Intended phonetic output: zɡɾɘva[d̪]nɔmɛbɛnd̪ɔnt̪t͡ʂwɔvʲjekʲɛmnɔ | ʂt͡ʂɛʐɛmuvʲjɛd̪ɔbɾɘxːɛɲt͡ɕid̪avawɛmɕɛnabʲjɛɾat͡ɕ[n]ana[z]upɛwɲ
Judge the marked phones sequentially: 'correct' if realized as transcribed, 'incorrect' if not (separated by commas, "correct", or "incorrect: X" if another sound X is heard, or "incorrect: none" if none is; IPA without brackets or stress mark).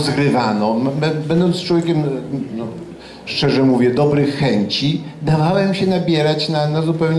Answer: incorrect: none, correct, correct